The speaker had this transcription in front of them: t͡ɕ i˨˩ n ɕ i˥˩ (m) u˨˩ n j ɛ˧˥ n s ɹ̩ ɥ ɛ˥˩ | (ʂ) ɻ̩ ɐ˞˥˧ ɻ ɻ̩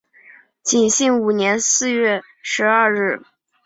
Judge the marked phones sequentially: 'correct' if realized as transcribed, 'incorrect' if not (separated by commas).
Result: incorrect, correct